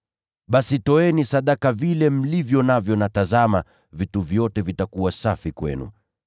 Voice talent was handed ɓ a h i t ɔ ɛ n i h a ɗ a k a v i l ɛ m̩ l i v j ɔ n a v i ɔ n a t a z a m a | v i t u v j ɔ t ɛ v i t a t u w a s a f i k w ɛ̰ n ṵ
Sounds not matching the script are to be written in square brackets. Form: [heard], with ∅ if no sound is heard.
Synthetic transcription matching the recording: ɓ a [s] i t ɔ ɛ n i [s] a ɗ a k a v i l ɛ m̩ l i v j ɔ n a v [j] ɔ n a t a z a m a | v i t u v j ɔ t ɛ v i t a [k] u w a s a f i k w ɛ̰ n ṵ